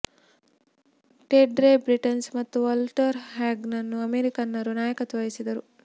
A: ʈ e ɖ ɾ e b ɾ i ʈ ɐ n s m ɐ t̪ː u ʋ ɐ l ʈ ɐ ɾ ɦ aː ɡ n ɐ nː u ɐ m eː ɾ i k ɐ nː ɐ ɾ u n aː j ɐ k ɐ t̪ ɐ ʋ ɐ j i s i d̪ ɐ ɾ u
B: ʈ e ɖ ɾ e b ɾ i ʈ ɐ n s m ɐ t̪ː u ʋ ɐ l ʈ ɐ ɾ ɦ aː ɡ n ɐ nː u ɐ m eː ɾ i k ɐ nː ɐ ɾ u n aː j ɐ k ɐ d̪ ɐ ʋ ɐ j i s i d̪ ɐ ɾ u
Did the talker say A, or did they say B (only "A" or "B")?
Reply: A